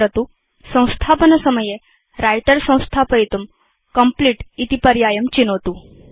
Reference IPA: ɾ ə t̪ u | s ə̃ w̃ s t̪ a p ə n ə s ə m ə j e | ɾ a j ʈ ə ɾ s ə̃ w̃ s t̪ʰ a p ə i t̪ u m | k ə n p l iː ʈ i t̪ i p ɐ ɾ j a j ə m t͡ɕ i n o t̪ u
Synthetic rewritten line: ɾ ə t̪ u | s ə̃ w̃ s t̪ʰ a p ə n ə s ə m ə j e | ɾ a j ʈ ə ɾ s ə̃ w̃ s t̪ʰ a p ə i t̪ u m | k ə m p l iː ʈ i t̪ i p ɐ ɾ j a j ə m t͡ɕ i n o t̪ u